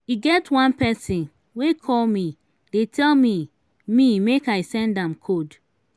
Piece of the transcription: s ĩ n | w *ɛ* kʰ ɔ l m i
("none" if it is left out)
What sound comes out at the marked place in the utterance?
e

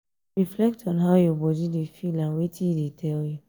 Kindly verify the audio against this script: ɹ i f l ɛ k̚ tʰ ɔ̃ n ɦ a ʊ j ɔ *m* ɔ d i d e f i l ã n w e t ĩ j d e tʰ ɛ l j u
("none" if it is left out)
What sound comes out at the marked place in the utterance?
b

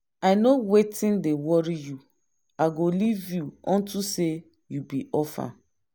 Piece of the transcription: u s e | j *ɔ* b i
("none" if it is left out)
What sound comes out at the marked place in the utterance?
u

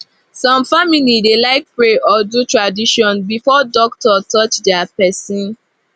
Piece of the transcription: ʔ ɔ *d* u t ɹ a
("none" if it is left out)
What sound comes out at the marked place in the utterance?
d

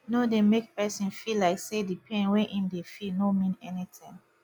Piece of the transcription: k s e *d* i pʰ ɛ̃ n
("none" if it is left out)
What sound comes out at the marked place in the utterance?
d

